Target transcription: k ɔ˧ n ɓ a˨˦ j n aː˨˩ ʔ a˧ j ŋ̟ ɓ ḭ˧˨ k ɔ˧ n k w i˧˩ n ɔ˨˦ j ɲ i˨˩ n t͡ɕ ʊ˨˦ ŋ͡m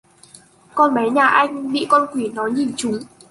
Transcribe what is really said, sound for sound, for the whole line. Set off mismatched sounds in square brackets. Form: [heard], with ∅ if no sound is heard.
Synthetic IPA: k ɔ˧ n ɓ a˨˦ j [ɲ] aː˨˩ ʔ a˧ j ŋ̟ ɓ ḭ˧˨ k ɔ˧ n k w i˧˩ n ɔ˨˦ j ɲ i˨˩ n t͡ɕ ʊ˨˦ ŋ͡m